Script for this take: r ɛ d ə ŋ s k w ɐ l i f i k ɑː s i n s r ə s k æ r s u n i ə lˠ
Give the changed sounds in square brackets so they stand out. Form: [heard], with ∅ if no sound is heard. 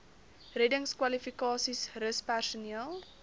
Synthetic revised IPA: r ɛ d ə ŋ s k w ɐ l i f i k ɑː s i [∅] s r ə s [p] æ r s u n i ə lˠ

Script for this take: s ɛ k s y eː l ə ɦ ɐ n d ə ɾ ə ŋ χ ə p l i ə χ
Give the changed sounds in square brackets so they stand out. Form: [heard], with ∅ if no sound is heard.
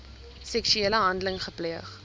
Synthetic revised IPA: s ɛ k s y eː l ə ɦ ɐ n d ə [l] ə ŋ χ ə p l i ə χ

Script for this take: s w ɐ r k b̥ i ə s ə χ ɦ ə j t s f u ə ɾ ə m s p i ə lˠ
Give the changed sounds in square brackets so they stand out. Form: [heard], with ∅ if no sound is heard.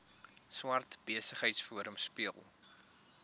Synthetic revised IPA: s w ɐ r [t] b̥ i ə s ə χ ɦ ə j t s f u ə ɾ ə m s p i ə lˠ

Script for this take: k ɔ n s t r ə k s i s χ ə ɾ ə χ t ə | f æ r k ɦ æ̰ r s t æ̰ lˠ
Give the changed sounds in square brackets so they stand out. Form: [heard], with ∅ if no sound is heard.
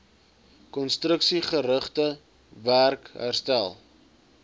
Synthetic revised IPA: k ɔ n s t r ə k s i [∅] χ ə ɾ ə χ t ə | [v] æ r k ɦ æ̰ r s t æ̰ lˠ

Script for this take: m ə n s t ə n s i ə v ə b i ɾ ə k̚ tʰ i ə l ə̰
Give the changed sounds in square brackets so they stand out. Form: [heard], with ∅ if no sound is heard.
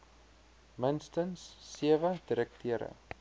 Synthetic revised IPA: m ə n s t ə n [sː] i ə v ə [d] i ɾ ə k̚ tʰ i ə [ɾ] ə̰

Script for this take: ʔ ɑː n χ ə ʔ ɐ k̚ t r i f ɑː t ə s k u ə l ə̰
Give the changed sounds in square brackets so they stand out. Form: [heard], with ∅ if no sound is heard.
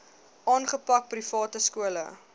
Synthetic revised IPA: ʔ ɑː n χ ə [p] ɐ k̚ [p] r i f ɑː t ə s k u ə l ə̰

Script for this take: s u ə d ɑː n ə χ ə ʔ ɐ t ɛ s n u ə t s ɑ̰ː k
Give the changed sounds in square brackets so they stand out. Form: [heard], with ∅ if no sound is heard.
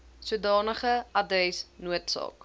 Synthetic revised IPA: s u ə d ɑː n ə χ ə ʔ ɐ [d] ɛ s n u ə t s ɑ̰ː k

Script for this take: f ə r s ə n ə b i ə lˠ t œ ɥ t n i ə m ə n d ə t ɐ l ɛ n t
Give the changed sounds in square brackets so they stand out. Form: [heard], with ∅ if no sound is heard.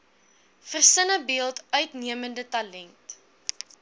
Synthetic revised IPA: f ə r s ə n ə b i ə lˠ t œ ɥ t n i ə m ə n d ə t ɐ l ɛ n t

